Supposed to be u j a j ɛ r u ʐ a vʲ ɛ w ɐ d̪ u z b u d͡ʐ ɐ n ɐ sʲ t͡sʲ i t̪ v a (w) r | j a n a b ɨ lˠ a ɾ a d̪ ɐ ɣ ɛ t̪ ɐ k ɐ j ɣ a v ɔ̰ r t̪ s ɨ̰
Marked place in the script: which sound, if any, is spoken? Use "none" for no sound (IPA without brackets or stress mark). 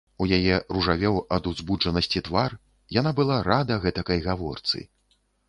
none